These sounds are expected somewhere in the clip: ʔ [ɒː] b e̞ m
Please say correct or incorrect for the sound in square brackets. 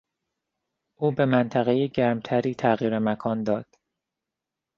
incorrect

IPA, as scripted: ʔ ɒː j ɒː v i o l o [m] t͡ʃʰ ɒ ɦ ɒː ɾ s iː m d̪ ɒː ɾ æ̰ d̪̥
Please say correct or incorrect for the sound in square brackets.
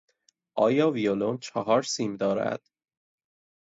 incorrect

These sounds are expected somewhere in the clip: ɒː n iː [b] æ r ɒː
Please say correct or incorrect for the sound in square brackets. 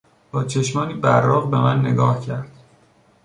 correct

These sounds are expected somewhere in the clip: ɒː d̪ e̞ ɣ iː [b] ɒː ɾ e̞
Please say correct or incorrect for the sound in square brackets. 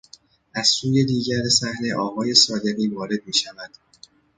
incorrect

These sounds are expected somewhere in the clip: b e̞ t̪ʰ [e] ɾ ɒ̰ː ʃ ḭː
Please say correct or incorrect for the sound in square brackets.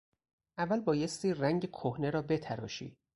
incorrect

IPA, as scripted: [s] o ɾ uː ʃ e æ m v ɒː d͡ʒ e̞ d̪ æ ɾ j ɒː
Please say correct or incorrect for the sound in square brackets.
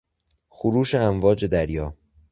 incorrect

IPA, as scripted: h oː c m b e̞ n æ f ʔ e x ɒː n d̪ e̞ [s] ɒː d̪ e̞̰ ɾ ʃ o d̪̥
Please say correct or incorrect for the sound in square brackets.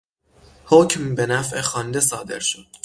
correct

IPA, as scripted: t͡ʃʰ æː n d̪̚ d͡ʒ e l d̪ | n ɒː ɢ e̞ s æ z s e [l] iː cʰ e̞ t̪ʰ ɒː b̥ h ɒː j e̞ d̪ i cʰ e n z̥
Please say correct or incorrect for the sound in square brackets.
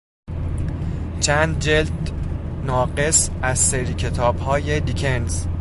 incorrect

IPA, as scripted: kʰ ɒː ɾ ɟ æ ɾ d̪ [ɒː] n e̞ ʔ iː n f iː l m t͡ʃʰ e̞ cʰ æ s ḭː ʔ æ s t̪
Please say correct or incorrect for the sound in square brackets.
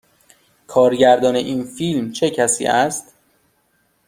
correct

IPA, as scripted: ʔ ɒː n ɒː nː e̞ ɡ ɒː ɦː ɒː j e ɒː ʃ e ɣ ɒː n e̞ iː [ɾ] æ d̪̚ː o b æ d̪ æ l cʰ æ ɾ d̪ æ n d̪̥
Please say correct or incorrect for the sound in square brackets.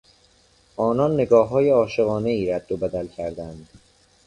correct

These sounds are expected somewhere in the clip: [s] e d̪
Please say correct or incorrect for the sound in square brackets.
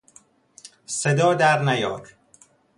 correct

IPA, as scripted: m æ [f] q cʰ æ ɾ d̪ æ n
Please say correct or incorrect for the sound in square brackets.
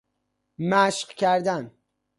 incorrect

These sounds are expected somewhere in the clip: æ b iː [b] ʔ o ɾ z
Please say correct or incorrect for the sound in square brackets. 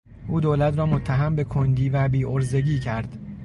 incorrect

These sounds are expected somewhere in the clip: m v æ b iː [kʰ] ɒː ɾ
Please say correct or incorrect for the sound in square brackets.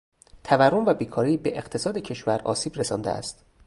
correct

